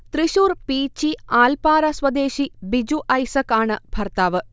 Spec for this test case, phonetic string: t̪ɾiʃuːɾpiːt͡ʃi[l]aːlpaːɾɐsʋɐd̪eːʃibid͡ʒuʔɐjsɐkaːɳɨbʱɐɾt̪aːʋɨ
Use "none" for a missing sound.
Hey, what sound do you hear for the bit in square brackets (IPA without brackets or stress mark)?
none